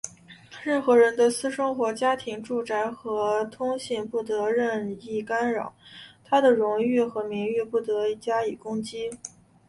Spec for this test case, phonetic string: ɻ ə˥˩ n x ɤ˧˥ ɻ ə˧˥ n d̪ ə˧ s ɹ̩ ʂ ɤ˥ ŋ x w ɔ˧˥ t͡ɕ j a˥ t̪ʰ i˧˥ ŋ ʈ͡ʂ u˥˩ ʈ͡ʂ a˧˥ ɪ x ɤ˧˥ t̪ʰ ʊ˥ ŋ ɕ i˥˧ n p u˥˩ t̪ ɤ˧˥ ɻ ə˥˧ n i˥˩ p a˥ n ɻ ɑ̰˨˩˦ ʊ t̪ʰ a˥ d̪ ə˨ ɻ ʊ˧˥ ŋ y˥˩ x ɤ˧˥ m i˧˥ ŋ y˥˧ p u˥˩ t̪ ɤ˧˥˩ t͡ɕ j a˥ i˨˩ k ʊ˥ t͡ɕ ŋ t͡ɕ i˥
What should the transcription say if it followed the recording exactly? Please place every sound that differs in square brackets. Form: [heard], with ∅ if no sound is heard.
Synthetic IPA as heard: ɻ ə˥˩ n x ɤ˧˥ ɻ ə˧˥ n d̪ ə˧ s ɹ̩ ʂ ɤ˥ ŋ x w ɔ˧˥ t͡ɕ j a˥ t̪ʰ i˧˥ ŋ ʈ͡ʂ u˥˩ ʈ͡ʂ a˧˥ ɪ x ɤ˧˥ t̪ʰ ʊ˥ ŋ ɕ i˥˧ n p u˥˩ t̪ ɤ˧˥ ɻ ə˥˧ n i˥˩ [k] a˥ n ɻ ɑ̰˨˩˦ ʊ t̪ʰ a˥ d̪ ə˨ ɻ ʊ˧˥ ŋ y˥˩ x ɤ˧˥ m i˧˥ ŋ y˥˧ p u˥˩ t̪ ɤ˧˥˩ t͡ɕ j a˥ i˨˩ k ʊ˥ [∅] ŋ t͡ɕ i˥